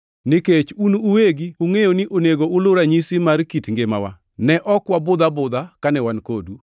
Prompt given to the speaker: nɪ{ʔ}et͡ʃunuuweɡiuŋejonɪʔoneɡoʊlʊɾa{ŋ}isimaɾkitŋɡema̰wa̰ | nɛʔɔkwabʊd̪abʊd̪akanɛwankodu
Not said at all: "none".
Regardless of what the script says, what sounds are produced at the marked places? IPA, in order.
k, ɲ

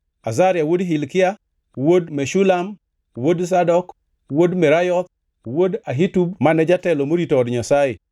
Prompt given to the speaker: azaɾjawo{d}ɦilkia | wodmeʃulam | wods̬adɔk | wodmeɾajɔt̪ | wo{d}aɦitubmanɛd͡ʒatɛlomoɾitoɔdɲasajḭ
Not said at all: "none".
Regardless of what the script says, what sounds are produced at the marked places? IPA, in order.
d, d

